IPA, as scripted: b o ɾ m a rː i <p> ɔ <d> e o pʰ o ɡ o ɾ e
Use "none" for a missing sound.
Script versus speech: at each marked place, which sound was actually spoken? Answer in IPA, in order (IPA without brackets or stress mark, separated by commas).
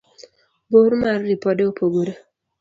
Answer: p, d